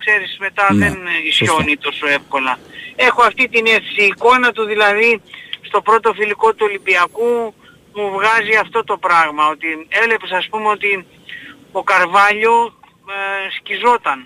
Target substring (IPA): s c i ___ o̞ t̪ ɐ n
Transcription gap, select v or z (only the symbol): z